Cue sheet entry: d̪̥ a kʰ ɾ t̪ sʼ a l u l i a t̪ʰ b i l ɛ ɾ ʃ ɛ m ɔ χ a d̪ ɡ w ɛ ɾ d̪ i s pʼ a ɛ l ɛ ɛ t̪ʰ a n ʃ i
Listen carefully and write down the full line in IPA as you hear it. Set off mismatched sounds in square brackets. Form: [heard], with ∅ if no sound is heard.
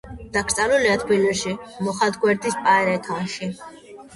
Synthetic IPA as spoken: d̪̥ a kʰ ɾ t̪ sʼ a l u l i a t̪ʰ b i l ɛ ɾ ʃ [i] m ɔ χ a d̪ ɡ w ɛ ɾ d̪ i s pʼ a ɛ [ɾ] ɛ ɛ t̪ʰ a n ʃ i